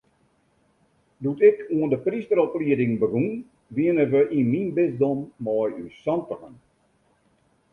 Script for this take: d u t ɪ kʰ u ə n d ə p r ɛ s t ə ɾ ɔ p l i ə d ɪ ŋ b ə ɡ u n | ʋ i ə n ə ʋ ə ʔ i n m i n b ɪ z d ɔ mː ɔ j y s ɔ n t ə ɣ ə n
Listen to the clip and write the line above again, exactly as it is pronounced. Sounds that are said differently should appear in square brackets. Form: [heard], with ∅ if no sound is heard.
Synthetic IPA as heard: d u t ɪ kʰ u ə n d ə p r [i] s t ə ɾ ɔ p l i ə d ɪ ŋ b ə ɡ u n | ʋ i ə n ə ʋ ə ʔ i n m i n b ɪ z d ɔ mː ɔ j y s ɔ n t ə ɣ ə n